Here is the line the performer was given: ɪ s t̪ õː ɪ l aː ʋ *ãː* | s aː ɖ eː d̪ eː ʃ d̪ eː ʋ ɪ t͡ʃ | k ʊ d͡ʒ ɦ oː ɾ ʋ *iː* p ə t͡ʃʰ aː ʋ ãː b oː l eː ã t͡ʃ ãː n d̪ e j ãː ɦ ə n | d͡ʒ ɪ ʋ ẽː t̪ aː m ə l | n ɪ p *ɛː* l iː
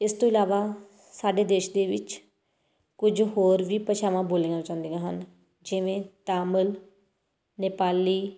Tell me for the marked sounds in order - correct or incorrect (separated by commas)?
incorrect, correct, incorrect